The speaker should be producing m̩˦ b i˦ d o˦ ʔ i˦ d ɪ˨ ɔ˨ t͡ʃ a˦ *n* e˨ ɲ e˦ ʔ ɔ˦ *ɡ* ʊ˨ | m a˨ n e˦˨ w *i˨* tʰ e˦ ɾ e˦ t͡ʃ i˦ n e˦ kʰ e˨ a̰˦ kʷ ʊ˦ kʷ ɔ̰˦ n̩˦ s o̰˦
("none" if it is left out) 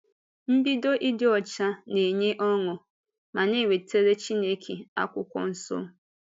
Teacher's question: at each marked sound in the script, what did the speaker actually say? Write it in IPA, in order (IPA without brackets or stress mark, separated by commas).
n, ŋ, e˨